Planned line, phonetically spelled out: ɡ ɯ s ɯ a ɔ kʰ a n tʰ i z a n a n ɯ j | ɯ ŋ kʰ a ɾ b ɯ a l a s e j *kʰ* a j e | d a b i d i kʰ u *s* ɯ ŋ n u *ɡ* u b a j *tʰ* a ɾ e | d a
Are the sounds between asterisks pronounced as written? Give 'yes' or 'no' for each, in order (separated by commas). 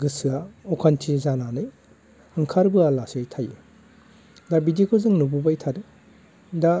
no, no, no, yes